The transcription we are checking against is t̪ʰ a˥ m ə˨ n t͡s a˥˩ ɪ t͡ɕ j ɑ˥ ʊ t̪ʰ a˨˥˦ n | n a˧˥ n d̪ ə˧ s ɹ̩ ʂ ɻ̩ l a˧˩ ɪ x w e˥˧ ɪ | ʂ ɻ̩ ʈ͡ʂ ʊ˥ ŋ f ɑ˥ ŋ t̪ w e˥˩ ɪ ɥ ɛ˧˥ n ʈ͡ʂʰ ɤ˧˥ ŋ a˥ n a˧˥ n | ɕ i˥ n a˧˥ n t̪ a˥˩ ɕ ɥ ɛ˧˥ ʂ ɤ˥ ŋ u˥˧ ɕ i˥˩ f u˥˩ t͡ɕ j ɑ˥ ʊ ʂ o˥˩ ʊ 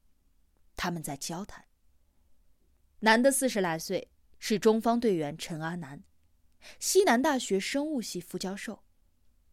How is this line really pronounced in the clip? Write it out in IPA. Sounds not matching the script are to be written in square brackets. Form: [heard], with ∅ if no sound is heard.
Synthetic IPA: t̪ʰ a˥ m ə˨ n t͡s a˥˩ ɪ t͡ɕ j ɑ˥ ʊ t̪ʰ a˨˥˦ n | n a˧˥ n d̪ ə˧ s ɹ̩ ʂ ɻ̩ l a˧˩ ɪ [s] w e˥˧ ɪ | ʂ ɻ̩ ʈ͡ʂ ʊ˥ ŋ f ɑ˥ ŋ t̪ w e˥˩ ɪ ɥ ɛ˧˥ n ʈ͡ʂʰ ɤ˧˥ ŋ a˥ n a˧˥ n | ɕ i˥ n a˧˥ n t̪ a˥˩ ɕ ɥ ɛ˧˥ ʂ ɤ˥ ŋ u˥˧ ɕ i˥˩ f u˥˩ t͡ɕ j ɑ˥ ʊ ʂ o˥˩ ʊ